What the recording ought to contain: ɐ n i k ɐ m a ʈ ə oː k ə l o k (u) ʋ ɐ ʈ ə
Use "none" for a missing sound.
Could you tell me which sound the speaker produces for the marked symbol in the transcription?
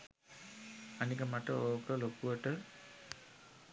u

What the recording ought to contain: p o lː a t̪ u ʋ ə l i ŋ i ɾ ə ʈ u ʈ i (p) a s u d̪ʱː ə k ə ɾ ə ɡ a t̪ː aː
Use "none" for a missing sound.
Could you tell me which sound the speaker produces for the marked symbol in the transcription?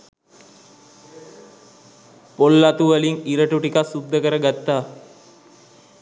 k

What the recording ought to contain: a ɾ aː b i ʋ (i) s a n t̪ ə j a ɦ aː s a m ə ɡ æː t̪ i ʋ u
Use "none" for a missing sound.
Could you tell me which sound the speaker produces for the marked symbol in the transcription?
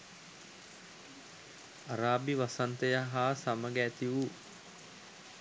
a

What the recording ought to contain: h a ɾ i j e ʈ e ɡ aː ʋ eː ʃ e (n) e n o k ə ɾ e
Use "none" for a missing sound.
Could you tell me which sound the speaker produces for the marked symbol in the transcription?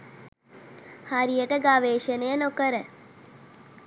n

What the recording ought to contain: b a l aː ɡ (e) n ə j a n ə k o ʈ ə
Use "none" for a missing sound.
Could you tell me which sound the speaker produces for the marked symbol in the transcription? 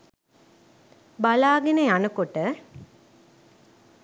e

